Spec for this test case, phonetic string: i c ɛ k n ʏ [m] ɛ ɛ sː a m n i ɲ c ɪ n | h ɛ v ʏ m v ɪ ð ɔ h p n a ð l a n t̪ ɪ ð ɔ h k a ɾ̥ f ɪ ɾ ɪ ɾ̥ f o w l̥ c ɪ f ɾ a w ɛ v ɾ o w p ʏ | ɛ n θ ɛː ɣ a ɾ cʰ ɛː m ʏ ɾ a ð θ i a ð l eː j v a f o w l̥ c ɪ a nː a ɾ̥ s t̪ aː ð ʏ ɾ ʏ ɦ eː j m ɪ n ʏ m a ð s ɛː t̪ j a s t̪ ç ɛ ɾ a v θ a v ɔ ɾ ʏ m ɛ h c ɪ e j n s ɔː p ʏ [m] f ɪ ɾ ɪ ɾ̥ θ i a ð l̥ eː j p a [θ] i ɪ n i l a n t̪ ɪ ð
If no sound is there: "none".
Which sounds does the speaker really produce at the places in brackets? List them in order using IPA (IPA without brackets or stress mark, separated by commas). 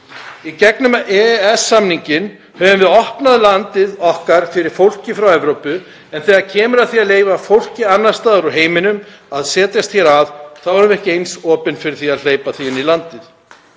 m, n, θ